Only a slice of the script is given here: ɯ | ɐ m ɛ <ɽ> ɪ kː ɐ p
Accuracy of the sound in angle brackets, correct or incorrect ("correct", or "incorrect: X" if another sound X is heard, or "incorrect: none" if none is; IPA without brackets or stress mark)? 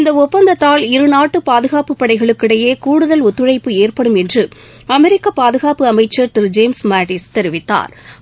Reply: incorrect: ɾ